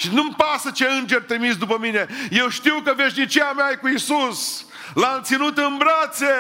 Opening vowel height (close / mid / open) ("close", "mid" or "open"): close